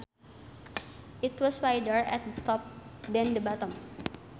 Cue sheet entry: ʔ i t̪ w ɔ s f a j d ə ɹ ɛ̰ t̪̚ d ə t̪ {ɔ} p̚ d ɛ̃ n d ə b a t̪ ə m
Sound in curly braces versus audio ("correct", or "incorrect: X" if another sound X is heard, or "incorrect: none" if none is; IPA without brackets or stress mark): correct